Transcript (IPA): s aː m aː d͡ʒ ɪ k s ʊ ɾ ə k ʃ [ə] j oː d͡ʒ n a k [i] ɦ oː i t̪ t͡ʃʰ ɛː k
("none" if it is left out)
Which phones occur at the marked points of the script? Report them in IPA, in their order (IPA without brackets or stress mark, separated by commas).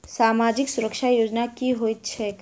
a, i